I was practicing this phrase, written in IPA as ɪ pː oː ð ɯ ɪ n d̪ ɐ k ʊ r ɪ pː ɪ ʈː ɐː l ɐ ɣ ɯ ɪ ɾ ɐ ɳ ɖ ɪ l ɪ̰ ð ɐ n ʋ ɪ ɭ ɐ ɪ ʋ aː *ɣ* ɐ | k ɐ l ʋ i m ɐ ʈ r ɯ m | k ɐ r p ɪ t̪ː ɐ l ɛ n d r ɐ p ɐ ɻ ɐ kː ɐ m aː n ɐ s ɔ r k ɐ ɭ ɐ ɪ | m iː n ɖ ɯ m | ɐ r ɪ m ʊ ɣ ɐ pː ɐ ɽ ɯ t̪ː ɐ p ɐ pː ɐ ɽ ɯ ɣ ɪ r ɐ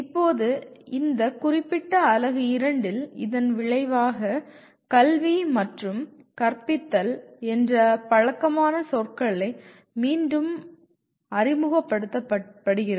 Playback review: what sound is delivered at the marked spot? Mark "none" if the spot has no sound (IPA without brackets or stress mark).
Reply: ɣ